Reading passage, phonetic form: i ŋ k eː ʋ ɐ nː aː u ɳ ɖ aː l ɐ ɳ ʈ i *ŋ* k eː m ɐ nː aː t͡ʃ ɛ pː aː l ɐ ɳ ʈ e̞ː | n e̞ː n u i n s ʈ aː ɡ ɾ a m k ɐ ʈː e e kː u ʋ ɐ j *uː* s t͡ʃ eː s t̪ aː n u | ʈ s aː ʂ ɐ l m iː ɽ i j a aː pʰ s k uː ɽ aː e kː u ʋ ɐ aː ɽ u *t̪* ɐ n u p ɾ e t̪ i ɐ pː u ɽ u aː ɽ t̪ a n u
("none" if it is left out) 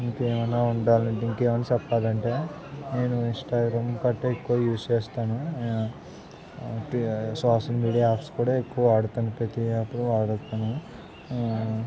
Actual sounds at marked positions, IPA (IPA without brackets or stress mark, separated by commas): ŋ, uː, t̪